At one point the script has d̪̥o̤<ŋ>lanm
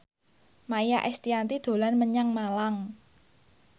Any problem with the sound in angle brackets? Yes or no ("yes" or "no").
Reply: yes